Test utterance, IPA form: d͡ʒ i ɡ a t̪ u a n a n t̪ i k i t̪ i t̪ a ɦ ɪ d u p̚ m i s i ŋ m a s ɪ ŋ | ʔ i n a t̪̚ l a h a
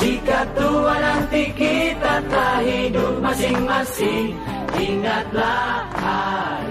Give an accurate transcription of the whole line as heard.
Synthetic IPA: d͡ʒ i k a t̪ u a n a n t̪ i k i t̪ a t̪ a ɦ i d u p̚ m a s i ŋ m a s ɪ ŋ | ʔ i ŋ a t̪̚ l a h a